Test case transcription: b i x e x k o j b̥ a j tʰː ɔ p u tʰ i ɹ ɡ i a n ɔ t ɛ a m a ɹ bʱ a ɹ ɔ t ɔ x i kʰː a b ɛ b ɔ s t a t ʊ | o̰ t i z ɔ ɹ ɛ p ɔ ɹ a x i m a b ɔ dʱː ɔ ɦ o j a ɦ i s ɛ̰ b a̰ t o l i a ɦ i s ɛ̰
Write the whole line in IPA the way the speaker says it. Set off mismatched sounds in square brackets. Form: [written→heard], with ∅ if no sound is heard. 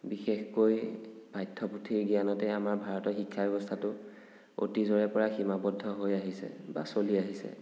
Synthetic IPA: b i x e x k o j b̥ a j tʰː ɔ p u tʰ i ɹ ɡ i a n ɔ t ɛ a m a ɹ bʱ a ɹ ɔ t ɔ x i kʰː a b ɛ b ɔ s [t→tʰ] a t ʊ | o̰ t i z ɔ ɹ ɛ p ɔ ɹ a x i m a b ɔ dʱː ɔ ɦ o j a ɦ i s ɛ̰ b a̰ [t→s] o l i a ɦ i s ɛ̰